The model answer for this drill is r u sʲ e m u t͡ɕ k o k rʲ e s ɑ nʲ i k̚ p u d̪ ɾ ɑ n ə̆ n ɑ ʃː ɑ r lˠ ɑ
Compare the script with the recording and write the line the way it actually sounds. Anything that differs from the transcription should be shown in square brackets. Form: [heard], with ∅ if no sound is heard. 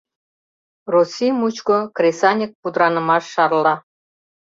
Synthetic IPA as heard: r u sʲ [i] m u t͡ɕ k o k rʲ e s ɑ nʲ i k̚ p u d̪ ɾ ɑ n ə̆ [m] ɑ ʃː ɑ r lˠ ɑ